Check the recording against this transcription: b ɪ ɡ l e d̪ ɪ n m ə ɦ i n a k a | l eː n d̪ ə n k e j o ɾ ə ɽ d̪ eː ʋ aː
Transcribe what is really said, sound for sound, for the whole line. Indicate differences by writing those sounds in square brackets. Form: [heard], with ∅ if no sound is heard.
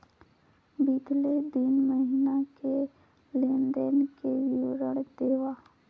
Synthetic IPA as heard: b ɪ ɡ l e d̪ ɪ n m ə ɦ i n a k [e] | l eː n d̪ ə n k e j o ɾ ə ɽ d̪ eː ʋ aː